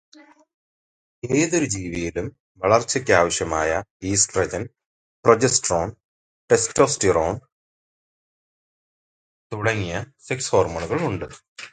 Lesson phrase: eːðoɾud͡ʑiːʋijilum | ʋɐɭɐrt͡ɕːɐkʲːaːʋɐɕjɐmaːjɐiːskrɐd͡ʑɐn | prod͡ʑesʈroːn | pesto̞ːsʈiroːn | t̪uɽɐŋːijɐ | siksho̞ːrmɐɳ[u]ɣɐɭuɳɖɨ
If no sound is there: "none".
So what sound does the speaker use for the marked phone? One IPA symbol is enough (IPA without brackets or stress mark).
u